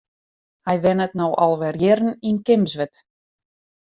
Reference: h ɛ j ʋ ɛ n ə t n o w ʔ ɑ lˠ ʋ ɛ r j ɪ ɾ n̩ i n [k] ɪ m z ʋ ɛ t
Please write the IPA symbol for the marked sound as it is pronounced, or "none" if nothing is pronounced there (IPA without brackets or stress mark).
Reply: k